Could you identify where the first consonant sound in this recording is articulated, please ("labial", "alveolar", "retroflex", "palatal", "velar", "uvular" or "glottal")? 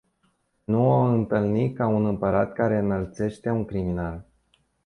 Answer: alveolar